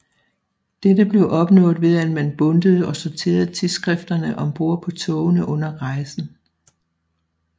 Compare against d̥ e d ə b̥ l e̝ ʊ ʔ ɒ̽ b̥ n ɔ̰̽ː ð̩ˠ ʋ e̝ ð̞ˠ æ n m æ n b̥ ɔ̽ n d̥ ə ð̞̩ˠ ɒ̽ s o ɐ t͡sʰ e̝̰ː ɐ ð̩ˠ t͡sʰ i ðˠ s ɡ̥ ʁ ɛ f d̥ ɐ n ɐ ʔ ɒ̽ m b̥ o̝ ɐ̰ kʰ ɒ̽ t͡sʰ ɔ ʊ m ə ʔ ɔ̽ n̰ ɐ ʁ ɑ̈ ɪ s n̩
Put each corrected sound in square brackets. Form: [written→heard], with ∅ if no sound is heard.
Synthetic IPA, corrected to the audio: d̥ e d ə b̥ l e̝ ʊ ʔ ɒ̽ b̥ n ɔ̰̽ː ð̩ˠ ʋ e̝ ð̞ˠ æ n m æ n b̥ ɔ̽ n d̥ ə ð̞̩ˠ ɒ̽ s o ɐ t͡sʰ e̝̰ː ɐ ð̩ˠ t͡sʰ i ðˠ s ɡ̥ ʁ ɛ f d̥ ɐ n [ɐ→ə] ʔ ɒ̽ m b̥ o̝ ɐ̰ [kʰ→pʰ] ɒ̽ t͡sʰ ɔ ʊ [m→n] ə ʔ ɔ̽ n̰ ɐ ʁ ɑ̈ ɪ s n̩